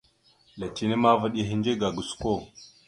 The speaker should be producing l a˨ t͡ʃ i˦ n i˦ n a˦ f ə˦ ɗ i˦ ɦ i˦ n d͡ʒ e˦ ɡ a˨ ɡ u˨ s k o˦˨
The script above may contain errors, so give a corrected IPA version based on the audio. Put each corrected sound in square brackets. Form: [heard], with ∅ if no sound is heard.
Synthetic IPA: l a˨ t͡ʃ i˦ n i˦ [m] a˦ [v] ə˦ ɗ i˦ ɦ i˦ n d͡ʒ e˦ ɡ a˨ ɡ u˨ s k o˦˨